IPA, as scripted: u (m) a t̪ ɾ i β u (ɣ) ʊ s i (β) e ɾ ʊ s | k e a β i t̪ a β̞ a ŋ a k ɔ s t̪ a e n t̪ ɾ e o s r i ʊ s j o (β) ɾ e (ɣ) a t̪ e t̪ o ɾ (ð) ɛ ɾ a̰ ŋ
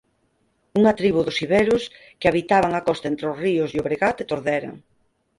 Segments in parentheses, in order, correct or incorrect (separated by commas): incorrect, incorrect, correct, correct, correct, correct